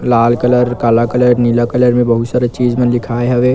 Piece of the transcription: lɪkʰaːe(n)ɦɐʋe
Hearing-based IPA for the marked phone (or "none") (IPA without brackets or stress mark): none